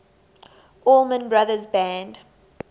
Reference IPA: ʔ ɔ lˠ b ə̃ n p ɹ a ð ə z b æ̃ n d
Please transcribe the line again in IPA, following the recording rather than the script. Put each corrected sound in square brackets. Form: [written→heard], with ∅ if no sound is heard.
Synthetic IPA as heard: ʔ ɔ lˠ [b→m] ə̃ n [p→b] ɹ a ð ə z b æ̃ n d